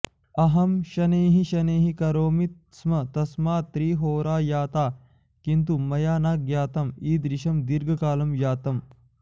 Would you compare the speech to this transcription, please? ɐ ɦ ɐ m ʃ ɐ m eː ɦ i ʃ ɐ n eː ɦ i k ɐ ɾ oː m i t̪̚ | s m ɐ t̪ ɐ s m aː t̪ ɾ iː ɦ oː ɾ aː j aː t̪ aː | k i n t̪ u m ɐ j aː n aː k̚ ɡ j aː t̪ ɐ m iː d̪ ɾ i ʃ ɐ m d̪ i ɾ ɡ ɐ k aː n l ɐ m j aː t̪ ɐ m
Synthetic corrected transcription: ɐ ɦ ɐ m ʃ ɐ n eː ɦ i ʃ ɐ n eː ɦ i k ɐ ɾ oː m i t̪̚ | s m ɐ t̪ ɐ s m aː t̪ ɾ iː ɦ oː ɾ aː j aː t̪ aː | k i n t̪ u m ɐ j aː n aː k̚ ɡ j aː t̪ ɐ m iː d̪ ɾ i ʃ ɐ m d̪ i ɾ ɡ ɐ k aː l ɐ m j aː t̪ ɐ m